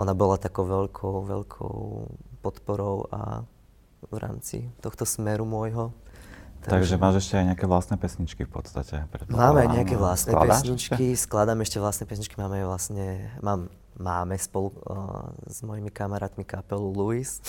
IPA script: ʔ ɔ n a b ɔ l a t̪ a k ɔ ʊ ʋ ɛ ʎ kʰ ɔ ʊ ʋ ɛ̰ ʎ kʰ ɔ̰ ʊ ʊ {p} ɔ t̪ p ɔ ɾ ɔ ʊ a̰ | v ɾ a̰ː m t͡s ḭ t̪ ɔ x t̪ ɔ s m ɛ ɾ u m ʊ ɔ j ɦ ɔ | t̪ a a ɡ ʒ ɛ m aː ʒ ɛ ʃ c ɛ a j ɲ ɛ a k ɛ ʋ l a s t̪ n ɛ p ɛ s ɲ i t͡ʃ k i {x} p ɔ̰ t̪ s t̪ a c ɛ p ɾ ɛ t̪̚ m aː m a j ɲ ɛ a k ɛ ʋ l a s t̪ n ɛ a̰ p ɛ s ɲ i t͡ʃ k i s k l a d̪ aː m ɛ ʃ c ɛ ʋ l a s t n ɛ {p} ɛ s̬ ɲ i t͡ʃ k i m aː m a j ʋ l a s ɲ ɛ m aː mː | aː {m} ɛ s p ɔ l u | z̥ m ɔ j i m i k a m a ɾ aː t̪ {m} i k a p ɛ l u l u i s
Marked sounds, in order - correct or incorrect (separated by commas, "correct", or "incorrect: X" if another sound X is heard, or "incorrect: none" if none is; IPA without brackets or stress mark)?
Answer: correct, incorrect: f, correct, correct, correct